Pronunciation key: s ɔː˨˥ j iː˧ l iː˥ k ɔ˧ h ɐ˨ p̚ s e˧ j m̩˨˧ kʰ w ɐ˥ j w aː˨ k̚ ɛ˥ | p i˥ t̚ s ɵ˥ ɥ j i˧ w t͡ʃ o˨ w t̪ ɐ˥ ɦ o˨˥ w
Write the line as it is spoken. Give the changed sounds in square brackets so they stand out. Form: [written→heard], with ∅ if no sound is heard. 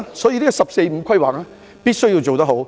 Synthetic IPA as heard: s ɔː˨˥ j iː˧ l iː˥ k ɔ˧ [h→s] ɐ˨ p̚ s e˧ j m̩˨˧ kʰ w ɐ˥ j w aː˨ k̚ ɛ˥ | p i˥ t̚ s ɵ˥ ɥ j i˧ w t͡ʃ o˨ w t̪ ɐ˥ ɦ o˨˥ w